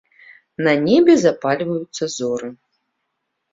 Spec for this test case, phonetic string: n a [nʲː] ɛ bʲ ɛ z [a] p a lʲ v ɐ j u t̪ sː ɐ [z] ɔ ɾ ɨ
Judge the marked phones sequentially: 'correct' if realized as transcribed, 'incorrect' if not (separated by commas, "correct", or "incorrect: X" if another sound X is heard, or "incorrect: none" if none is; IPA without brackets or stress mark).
incorrect: nʲ, correct, correct